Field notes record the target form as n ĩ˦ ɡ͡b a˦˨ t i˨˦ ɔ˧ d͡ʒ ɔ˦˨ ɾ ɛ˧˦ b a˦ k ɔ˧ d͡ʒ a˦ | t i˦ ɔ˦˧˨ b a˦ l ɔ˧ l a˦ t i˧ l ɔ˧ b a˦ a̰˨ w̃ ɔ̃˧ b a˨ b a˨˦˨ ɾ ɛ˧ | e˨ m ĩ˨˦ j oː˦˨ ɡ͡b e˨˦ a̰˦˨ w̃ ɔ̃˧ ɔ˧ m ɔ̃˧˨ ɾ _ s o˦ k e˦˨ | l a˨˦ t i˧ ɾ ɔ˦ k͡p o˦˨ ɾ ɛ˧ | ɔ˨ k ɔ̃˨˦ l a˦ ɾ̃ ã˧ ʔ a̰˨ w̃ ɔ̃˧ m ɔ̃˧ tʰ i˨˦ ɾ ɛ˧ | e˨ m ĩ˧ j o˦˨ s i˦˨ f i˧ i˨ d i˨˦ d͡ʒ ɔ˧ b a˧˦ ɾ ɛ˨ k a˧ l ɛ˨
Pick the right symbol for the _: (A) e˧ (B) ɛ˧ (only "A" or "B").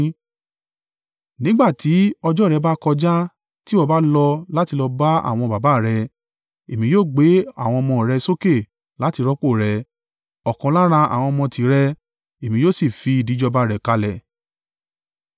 B